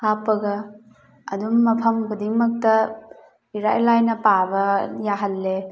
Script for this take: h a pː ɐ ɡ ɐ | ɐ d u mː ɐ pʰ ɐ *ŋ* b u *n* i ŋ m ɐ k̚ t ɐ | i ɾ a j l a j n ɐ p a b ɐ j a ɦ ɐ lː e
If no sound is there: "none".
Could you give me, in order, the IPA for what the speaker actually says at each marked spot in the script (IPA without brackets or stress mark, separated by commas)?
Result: m, d